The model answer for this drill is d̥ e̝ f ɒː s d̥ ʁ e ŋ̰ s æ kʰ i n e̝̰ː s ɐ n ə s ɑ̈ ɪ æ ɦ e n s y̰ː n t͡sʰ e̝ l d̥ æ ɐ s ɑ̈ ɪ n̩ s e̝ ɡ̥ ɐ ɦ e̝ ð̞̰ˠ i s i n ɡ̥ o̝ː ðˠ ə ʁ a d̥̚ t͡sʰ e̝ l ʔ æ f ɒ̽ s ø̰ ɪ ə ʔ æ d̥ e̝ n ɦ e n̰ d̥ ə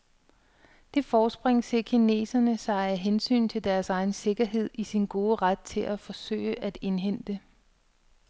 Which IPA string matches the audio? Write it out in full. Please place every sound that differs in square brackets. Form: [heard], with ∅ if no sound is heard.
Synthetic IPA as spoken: d̥ e̝ f ɒː s [b̥] ʁ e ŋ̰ s [e] kʰ i n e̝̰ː s ɐ n ə s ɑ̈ ɪ æ ɦ e n s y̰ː n t͡sʰ e̝ l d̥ æ ɐ s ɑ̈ ɪ n̩ s e̝ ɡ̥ ɐ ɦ e̝ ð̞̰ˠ i s i n ɡ̥ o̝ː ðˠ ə ʁ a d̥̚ t͡sʰ e̝ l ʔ æ f ɒ̽ s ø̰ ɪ ə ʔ æ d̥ e̝ n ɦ e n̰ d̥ ə